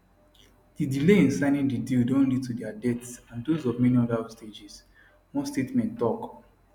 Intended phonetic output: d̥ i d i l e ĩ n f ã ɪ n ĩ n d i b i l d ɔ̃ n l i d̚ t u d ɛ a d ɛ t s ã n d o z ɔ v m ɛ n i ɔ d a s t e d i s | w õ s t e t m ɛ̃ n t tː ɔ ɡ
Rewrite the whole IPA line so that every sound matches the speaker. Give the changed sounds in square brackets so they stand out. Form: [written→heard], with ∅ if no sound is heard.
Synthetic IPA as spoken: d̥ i d i l e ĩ n [f→s] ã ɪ n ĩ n d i [b→d] i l d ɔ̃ n l i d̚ t u d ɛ a d ɛ t s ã n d o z ɔ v m ɛ n i ɔ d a s t e [d→d͡ʒ] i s | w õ s t e t m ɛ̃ n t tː ɔ [ɡ→k]